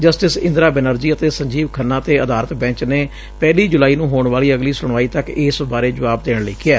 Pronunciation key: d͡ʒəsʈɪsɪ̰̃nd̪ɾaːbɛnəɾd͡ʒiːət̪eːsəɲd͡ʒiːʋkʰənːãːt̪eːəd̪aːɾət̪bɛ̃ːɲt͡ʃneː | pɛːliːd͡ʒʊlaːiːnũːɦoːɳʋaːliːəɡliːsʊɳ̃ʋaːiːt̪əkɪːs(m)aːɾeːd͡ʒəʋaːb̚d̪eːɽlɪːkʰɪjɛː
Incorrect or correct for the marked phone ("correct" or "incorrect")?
incorrect